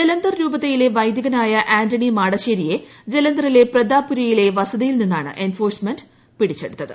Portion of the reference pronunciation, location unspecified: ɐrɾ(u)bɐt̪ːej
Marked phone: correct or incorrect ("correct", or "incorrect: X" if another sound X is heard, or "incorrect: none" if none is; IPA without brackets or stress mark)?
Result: incorrect: uː